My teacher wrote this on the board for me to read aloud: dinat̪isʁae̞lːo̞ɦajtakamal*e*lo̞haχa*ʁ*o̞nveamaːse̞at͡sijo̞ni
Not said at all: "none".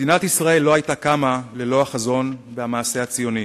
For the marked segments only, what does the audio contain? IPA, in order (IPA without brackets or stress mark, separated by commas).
e, z